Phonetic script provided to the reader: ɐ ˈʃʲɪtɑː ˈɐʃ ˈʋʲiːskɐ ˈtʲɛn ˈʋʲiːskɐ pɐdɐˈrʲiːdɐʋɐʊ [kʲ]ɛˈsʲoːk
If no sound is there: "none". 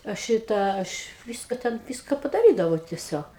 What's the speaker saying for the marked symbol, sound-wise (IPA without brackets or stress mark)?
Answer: tʲ